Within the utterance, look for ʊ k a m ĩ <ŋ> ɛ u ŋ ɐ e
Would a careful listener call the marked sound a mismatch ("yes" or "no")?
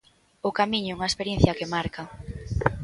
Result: yes